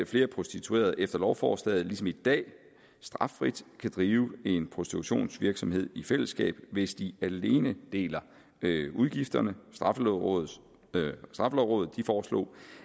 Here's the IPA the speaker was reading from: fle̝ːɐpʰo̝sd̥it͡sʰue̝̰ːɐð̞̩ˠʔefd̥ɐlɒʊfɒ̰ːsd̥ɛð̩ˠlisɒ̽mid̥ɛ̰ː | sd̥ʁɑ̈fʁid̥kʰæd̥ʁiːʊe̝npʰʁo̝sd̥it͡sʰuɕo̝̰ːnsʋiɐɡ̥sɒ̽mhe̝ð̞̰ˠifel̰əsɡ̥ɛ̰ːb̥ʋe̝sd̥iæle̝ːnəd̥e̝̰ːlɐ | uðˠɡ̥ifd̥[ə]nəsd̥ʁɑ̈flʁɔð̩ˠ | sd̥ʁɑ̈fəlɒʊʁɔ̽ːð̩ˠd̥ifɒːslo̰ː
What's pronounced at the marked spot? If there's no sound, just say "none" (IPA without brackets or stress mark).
ɐ